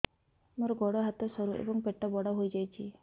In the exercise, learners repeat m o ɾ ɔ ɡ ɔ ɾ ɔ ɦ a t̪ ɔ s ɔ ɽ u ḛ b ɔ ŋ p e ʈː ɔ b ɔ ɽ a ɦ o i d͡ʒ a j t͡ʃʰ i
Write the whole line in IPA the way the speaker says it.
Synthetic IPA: m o ɾ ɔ ɡ ɔ ɽ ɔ ɦ a t̪ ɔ s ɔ ɾ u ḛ b ɔ ŋ p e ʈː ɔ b ɔ ɽ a ɦ o j d͡ʒ a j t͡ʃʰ i